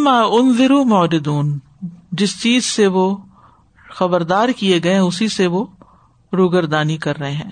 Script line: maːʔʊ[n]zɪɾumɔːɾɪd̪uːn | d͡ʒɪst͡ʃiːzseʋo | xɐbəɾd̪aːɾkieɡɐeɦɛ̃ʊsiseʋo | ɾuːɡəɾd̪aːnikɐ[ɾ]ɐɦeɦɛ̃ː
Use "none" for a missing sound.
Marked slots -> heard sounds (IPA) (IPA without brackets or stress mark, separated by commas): n, ɾː